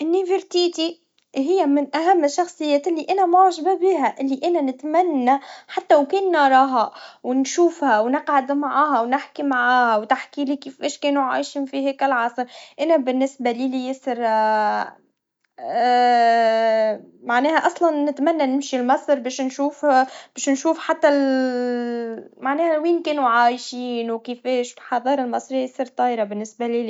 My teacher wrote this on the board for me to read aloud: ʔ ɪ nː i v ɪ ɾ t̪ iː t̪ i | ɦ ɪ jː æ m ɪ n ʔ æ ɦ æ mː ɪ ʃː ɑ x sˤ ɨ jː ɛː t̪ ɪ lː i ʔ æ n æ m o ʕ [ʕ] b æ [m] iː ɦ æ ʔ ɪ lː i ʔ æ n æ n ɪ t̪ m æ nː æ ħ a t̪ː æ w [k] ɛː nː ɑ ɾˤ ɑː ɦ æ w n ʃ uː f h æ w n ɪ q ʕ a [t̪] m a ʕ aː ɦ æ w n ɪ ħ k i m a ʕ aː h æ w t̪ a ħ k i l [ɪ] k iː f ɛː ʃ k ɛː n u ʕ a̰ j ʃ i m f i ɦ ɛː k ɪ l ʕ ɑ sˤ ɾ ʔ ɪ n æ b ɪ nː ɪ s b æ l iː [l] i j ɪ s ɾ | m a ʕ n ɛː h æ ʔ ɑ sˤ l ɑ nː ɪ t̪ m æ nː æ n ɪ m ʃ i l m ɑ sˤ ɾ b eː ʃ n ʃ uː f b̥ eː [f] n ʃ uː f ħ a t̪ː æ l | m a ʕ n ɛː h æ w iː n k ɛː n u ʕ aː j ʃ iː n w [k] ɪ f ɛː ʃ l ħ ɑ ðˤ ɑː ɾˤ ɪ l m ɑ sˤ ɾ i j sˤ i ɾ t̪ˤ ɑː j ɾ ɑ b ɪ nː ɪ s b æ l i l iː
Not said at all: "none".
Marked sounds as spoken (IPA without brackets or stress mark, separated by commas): ʒ, b, k, d̪, i, l, ʃ, k